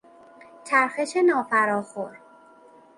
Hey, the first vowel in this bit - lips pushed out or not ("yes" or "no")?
no